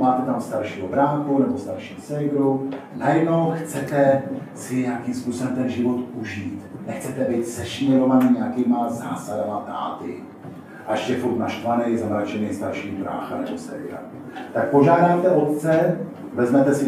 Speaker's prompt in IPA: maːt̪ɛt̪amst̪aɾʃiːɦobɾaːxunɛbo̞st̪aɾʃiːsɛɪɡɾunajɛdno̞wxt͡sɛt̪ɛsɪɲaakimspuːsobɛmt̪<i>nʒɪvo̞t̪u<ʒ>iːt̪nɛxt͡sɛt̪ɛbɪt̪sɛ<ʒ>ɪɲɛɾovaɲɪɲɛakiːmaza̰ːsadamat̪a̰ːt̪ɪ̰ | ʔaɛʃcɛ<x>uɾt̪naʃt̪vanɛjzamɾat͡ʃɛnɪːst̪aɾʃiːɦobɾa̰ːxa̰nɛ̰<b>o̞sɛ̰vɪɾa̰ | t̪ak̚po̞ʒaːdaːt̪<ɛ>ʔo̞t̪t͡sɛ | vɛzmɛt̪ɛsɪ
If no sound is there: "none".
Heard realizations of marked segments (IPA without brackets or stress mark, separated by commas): ɛ, ʒ, ʃ, f, b, ɛ